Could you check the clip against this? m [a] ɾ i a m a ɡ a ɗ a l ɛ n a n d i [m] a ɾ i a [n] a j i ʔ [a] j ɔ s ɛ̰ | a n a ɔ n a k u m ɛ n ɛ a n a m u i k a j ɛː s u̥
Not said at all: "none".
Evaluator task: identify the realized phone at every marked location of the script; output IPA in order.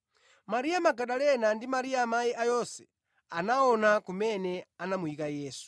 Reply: a, m, m, a

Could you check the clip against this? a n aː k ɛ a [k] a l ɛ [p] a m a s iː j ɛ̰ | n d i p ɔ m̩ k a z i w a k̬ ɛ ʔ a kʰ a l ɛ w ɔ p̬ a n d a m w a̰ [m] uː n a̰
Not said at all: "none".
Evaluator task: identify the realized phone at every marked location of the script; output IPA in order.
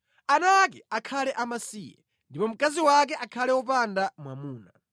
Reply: kʰ, ʔ, m

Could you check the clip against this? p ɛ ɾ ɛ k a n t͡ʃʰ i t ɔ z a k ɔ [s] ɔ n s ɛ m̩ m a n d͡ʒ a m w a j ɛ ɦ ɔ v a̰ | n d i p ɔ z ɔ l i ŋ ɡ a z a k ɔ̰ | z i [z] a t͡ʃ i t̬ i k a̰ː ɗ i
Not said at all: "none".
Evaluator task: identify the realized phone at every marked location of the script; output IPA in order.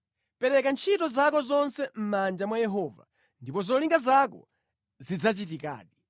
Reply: z, d͡z

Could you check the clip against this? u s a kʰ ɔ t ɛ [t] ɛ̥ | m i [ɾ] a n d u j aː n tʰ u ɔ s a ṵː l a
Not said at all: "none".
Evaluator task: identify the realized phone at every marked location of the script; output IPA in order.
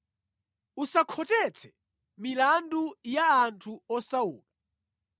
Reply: t͡sʰ, l

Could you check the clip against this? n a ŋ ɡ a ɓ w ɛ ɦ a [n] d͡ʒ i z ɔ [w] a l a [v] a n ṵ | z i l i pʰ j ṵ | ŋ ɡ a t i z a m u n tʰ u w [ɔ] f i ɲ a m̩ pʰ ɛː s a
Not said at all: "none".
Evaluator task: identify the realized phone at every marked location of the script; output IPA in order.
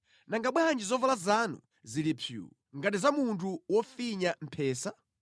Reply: n, v, z, ɔ

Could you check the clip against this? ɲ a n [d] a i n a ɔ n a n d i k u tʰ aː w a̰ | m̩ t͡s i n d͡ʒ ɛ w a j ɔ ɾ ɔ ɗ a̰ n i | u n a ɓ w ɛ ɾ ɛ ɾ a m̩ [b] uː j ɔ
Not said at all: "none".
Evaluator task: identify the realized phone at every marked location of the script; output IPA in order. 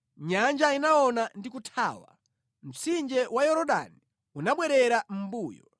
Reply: d͡ʒ, b

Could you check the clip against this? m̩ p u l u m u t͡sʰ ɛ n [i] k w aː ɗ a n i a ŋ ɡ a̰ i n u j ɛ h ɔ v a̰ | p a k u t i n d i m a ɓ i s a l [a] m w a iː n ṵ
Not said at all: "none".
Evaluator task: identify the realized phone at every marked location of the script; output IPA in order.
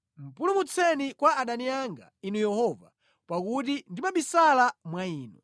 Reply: i, a

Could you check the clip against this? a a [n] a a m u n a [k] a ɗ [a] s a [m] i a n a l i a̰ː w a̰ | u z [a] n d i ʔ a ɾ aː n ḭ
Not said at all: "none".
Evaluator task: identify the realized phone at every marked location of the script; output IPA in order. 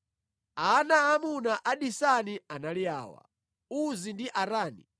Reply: n, ʔ, i, n, i

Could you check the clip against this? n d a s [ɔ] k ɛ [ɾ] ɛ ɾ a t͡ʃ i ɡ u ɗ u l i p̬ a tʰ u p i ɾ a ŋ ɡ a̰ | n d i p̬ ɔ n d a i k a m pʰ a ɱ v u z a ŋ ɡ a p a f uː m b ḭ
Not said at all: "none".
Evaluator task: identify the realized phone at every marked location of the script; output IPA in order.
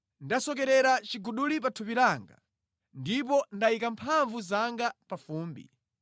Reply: ɔ, ɾ

